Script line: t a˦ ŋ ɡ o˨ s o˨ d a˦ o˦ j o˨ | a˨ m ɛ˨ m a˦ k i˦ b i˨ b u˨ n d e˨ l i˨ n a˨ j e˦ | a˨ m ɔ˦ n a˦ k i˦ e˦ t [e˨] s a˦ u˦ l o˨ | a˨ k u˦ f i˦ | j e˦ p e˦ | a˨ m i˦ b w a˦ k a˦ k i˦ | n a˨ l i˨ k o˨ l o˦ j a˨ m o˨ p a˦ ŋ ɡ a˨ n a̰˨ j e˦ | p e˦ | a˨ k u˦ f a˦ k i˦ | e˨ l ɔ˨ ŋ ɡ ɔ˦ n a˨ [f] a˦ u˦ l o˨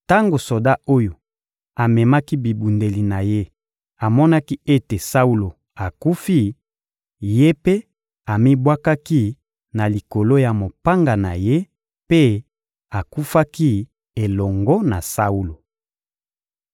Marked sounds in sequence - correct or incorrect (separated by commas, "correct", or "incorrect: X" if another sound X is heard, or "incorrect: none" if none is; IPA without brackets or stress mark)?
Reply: correct, incorrect: s